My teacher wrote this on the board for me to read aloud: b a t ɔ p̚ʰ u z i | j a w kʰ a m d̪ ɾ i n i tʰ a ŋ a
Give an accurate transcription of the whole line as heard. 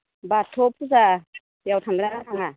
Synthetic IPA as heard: b a tʰ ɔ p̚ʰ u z a | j a w tʰ a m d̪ ɾ a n a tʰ a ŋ a